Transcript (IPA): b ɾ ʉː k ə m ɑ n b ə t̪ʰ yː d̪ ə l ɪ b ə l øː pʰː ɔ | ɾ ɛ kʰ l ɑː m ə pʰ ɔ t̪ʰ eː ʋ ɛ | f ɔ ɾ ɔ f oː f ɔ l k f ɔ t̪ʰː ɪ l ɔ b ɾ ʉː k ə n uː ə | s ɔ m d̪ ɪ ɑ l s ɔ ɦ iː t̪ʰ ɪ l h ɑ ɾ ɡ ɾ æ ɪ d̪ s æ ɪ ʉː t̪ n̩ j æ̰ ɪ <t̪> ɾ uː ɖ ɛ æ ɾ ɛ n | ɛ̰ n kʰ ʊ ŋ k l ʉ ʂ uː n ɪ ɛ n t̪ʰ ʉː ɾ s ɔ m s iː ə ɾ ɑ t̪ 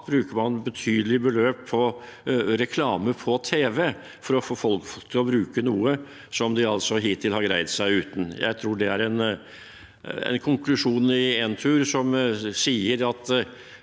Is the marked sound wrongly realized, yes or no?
yes